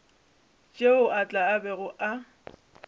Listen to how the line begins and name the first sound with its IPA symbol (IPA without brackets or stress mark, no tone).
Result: t͡ʃʼ